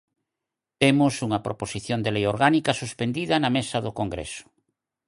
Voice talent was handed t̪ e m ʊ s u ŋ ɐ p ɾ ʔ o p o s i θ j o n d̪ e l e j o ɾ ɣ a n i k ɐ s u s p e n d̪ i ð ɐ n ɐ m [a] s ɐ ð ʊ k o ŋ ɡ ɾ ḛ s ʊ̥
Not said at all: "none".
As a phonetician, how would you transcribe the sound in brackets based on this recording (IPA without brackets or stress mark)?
e